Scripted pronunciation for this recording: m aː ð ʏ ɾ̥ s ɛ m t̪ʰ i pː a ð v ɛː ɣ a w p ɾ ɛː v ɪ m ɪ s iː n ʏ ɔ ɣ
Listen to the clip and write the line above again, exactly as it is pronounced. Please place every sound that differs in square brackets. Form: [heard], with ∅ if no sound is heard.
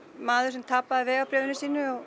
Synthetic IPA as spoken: m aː ð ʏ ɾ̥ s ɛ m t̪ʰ [a] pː a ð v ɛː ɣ a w p ɾ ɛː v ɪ [n] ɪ s iː n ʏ ɔ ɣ